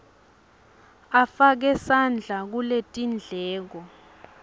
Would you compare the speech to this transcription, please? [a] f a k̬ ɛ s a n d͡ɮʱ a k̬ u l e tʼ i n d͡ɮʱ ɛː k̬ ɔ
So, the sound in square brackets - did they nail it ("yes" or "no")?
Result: yes